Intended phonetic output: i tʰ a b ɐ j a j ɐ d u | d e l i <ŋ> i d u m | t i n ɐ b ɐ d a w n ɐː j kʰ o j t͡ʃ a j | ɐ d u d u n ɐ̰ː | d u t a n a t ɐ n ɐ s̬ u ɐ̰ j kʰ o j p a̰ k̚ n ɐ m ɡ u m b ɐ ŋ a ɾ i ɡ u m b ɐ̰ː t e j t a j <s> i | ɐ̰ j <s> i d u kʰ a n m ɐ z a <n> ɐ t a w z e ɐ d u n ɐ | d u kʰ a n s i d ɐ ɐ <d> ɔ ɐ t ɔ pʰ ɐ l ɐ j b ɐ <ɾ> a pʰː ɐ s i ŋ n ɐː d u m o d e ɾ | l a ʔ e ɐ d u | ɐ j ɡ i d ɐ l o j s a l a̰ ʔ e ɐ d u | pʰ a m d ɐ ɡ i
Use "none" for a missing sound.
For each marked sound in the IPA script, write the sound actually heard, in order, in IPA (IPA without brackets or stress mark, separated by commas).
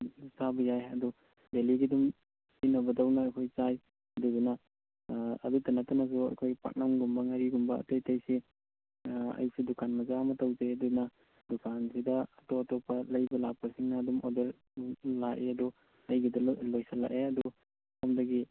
ɡ, s, s, m, t, l